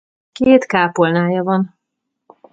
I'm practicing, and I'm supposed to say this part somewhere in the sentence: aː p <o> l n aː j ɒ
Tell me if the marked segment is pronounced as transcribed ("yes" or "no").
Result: yes